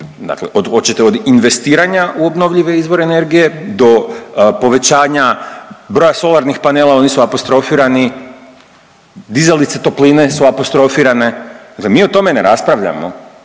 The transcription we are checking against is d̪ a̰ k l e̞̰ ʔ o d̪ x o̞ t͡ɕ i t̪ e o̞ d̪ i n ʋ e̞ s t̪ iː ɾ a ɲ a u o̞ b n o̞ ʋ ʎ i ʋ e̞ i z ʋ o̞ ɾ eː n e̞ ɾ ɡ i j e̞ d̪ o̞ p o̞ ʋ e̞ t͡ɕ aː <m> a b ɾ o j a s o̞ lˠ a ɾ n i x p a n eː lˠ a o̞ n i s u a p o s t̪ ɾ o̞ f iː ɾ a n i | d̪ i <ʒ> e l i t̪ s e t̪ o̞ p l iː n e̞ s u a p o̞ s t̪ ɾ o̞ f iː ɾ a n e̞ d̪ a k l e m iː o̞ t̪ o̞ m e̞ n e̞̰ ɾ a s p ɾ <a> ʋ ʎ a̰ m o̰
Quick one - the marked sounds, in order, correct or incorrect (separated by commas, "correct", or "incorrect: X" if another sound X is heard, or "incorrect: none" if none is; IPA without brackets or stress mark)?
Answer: incorrect: ɲ, incorrect: z, correct